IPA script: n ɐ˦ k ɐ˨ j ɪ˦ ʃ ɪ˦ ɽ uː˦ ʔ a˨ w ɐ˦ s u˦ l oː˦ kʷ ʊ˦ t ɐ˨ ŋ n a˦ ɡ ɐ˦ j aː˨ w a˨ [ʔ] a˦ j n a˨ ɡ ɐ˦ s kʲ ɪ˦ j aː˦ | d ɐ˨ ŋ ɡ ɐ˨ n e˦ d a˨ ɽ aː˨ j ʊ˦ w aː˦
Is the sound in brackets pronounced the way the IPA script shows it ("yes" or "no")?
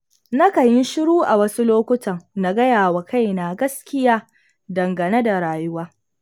no